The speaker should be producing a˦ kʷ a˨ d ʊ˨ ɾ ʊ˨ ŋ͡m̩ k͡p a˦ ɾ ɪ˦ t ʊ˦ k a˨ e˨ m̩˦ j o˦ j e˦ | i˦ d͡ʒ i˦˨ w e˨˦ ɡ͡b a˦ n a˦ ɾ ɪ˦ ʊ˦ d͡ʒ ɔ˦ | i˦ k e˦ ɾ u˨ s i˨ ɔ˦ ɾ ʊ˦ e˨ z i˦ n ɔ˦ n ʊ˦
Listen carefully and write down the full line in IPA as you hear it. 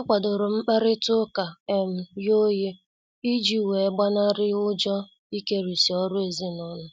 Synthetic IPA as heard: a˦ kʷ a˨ d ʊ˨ ɾ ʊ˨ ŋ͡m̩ k͡p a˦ ɾ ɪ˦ t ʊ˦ k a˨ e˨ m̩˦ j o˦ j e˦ | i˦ d͡ʒ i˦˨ w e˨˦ ɡ͡b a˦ n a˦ ɾ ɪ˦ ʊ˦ d͡ʒ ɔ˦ | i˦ k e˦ ɾ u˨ s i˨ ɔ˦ ɾ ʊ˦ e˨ z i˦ n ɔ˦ n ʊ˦